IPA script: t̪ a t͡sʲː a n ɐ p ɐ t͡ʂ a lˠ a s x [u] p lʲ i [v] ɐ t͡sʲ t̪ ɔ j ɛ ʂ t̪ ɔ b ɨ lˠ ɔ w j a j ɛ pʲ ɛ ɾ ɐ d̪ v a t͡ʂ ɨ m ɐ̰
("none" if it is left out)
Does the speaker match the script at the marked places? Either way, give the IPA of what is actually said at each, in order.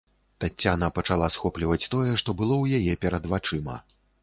ɔ, v

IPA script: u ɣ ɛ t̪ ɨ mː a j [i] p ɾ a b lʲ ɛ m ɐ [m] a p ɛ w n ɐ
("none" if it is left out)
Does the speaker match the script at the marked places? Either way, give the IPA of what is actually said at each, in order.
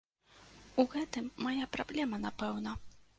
a, n

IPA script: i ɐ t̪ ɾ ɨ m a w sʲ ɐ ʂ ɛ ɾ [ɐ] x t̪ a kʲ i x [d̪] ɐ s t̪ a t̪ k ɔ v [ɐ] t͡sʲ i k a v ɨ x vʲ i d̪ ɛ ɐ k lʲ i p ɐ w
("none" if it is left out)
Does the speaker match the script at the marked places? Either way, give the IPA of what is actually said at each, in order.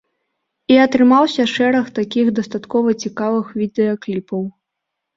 ɐ, d̪, ɐ

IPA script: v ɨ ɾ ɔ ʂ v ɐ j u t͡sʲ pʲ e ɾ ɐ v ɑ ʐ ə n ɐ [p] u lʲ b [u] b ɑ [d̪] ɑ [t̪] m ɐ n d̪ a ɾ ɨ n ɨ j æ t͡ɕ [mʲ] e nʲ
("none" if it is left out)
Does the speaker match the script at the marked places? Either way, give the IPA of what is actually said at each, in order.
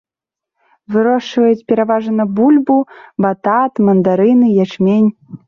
b, u, t̪, t̪, mʲ

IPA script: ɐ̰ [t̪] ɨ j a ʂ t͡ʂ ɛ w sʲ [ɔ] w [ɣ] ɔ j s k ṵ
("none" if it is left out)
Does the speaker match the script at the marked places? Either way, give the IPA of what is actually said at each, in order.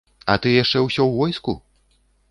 t̪, ɔ, v

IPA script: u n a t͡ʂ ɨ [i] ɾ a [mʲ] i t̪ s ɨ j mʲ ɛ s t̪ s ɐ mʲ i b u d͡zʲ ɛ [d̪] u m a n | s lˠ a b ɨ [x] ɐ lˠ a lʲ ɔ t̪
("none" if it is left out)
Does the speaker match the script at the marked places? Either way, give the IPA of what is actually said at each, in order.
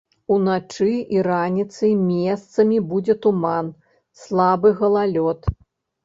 i, nʲ, t̪, ɣ

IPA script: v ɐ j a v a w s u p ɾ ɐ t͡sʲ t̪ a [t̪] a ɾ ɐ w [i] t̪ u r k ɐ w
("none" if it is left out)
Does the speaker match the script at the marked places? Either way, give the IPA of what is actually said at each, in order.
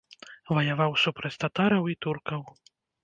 t̪, i

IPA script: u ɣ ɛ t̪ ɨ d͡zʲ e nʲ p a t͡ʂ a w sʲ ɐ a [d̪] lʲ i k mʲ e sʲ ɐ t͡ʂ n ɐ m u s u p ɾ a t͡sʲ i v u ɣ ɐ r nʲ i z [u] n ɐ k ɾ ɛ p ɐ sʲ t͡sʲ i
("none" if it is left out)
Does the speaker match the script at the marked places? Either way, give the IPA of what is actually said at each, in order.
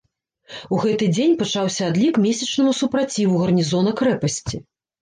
d̪, ɔ

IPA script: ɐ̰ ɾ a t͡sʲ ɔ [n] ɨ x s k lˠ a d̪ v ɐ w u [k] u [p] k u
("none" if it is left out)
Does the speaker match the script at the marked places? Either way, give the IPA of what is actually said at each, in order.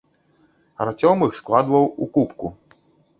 m, k, p

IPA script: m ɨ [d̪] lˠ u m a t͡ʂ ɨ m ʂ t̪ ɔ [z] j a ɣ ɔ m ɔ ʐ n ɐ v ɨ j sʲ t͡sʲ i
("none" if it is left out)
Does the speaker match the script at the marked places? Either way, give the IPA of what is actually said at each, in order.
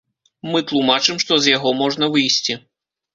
t̪, z

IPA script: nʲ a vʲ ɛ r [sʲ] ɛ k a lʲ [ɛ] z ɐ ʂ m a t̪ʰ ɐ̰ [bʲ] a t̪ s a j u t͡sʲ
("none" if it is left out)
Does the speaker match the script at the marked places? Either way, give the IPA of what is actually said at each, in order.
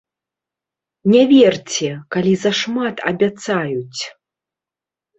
t͡sʲ, i, bʲ

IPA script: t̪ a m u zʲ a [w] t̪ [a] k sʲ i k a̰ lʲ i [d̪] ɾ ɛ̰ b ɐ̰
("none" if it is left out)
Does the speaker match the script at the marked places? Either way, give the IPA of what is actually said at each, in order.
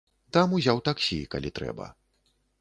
w, a, t̪

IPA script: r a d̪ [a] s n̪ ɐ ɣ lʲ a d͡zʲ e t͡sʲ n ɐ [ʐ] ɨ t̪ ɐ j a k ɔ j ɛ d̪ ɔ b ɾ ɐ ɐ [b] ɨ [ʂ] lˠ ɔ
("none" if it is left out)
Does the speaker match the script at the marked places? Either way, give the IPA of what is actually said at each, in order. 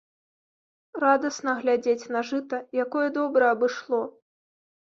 ɐ, ʐ, b, ʂ

